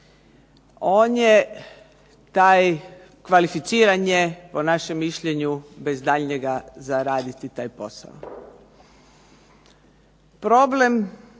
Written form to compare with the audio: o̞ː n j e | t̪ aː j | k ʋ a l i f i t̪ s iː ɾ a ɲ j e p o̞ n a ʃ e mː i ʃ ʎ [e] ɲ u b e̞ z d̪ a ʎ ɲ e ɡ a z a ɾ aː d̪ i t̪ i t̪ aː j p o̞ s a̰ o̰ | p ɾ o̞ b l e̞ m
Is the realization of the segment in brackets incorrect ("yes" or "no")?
no